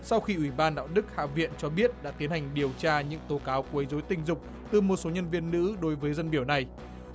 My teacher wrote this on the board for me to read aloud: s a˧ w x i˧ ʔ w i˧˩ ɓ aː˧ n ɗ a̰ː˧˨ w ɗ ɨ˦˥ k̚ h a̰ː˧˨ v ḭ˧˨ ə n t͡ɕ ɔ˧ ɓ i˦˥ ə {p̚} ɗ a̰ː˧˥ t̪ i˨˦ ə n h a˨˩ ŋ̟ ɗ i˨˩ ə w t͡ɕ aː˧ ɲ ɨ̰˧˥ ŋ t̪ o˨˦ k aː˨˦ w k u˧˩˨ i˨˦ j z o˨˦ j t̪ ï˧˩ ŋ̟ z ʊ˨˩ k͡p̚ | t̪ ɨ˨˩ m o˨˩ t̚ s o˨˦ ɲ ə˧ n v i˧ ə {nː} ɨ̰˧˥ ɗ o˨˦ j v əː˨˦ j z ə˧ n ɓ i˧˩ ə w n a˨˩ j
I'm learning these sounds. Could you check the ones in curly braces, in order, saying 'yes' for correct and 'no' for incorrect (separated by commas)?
no, yes